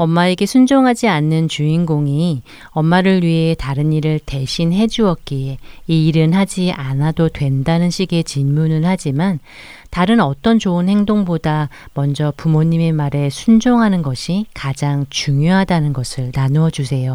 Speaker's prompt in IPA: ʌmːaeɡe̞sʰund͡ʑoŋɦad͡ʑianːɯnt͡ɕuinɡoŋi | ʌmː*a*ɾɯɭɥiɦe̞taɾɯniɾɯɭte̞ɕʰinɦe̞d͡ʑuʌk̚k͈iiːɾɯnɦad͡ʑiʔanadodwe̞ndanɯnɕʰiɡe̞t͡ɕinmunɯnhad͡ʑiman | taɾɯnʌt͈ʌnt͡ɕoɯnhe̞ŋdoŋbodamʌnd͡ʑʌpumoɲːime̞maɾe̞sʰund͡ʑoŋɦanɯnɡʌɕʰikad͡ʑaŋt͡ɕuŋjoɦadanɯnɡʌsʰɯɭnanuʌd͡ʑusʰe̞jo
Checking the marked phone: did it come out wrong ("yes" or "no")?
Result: no